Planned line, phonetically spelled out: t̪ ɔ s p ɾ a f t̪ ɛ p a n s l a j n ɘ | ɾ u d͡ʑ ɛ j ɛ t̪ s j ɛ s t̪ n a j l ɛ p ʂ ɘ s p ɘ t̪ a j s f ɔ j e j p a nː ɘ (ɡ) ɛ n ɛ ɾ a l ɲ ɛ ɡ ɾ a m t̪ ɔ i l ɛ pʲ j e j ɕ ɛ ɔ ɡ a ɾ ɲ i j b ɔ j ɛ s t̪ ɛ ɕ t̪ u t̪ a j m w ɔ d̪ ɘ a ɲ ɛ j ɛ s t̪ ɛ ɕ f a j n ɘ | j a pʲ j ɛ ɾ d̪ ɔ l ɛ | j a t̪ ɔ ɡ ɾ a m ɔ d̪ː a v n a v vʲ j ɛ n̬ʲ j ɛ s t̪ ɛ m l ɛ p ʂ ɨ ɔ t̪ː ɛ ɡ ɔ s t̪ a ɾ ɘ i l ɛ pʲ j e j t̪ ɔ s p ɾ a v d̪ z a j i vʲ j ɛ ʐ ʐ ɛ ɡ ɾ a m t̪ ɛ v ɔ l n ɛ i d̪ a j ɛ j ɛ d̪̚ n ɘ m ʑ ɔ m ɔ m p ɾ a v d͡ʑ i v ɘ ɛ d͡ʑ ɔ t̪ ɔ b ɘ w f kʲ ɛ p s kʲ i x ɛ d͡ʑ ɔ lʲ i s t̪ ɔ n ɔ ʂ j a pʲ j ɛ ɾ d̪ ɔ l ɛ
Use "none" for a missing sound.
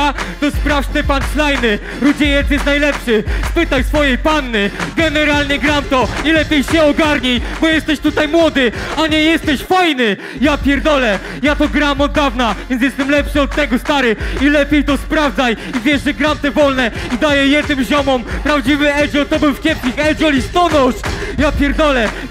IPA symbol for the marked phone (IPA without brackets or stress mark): ɡ